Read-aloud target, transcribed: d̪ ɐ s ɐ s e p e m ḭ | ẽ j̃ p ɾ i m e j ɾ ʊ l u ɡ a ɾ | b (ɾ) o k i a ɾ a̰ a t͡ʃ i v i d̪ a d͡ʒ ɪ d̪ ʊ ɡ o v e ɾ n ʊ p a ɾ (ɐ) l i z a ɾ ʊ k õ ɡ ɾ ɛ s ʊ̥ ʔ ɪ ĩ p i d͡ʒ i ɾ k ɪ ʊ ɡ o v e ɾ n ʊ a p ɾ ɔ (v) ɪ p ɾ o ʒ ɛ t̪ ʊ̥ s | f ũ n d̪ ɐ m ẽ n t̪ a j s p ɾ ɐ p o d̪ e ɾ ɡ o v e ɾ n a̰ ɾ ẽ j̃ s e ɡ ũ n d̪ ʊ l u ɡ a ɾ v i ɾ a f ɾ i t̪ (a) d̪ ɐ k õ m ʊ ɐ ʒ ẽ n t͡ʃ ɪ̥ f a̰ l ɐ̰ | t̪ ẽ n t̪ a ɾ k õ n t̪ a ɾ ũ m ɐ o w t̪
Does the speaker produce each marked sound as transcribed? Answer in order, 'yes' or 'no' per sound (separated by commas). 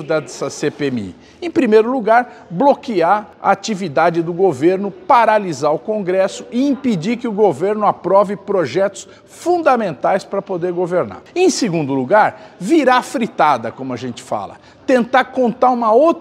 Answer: no, no, yes, yes